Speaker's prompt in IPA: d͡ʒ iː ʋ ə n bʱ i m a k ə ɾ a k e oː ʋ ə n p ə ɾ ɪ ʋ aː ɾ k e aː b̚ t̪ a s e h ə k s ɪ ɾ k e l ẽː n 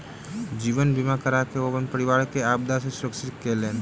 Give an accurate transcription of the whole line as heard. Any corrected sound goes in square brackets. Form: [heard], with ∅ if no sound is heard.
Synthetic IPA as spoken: d͡ʒ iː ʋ ə n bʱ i m a k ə ɾ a k e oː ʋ ə n p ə ɾ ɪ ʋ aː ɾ k e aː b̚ [d̪] a s e [s] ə k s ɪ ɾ k e l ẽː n

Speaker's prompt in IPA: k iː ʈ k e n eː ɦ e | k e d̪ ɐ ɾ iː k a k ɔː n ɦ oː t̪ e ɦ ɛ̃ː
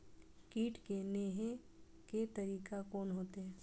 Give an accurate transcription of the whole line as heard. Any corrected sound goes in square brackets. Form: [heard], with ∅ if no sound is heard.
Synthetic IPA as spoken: k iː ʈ k e n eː ɦ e | k e [t̪] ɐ ɾ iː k a k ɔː n ɦ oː t̪ e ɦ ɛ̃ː

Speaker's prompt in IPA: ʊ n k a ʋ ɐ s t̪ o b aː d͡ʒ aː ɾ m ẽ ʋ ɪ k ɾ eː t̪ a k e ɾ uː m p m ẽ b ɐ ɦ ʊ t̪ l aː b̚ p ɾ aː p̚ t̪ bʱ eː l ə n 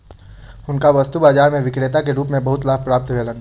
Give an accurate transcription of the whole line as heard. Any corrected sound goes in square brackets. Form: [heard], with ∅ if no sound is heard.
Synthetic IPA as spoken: ʊ n k a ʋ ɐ s t̪ [u] b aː d͡ʒ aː ɾ m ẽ ʋ ɪ k ɾ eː t̪ a k e ɾ uː [∅] p m ẽ b ɐ ɦ ʊ t̪ l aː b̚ p ɾ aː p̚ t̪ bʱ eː l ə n

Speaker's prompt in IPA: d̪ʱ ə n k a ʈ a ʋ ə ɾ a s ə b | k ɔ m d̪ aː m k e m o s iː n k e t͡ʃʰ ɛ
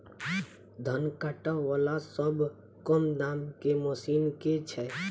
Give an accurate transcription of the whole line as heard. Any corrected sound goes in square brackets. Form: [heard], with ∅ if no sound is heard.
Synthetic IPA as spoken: d̪ʱ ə n k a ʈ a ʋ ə [l] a s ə b | k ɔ m d̪ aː m k e m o s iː n k e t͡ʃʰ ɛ

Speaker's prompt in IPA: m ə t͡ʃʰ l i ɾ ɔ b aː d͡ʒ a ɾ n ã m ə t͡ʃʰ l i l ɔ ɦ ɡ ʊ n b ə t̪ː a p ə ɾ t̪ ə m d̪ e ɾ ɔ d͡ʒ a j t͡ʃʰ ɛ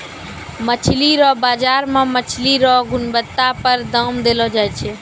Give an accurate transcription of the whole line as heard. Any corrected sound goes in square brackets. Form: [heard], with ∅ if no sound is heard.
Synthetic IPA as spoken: m ə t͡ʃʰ l i ɾ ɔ b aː d͡ʒ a ɾ [m] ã m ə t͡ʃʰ l i [ɾ] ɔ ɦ ɡ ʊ n b ə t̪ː a p ə ɾ [d̪] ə m d̪ e [l] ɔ d͡ʒ a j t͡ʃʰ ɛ

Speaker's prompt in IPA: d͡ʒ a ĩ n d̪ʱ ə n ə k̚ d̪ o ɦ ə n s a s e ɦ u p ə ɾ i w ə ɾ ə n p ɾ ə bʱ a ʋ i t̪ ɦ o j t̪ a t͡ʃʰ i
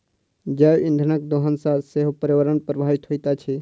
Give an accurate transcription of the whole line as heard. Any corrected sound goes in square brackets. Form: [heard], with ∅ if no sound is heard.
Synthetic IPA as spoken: d͡ʒ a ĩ n d̪ʱ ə n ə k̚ d̪ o ɦ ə n s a s e ɦ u p ə ɾ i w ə ɾ ə n p ɾ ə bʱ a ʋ i t̪ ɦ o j t̪ a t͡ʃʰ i

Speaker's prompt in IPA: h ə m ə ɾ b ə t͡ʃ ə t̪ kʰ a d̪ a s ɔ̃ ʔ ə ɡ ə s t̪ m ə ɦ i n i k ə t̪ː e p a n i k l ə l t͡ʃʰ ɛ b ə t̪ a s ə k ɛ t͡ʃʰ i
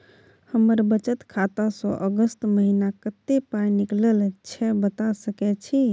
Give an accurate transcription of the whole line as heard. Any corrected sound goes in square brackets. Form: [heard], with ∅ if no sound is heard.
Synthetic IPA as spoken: h ə m ə ɾ b ə t͡ʃ ə t̪ kʰ a [t̪] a s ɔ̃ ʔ ə ɡ ə s t̪ m ə ɦ i n [a] k ə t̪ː e p a n i k l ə l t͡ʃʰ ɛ b ə t̪ a s ə k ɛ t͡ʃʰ i

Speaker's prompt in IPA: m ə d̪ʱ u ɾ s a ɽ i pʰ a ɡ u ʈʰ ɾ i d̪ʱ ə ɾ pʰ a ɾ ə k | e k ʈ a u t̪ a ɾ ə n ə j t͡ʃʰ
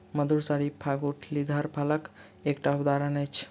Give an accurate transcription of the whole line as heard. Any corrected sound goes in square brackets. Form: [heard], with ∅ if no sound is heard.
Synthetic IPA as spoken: m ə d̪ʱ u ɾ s a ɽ i pʰ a ɡ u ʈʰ [l] i d̪ʱ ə ɾ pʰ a [l] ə k | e k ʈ a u [d̪] a ɾ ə n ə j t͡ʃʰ

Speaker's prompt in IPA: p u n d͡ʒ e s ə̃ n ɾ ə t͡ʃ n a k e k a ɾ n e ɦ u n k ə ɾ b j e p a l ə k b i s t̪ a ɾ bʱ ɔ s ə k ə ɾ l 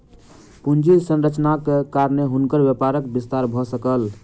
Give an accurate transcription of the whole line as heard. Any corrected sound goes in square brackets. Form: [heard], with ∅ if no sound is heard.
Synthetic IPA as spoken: p u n d͡ʒ [i] s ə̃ n ɾ ə t͡ʃ n a k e k a ɾ n e ɦ u n k ə ɾ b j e p a [ɾ] ə k b i s t̪ a ɾ bʱ ɔ s ə k ə [∅] l

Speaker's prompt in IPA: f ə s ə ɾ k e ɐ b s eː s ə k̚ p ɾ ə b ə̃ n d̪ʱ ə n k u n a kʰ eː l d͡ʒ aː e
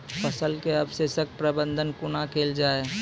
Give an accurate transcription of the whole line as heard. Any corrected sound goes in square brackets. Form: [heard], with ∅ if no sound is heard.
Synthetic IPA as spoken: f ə s ə [l] k e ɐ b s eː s ə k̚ p ɾ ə b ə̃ n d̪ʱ ə n k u n a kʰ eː l d͡ʒ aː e

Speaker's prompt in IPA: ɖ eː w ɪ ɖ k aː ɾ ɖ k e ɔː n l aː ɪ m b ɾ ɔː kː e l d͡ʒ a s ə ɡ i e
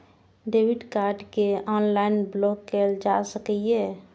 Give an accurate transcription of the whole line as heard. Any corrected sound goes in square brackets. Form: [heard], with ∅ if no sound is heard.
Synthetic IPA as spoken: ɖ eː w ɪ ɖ k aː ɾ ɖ k e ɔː n l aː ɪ [n] b [l] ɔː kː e l d͡ʒ a s ə [k] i e

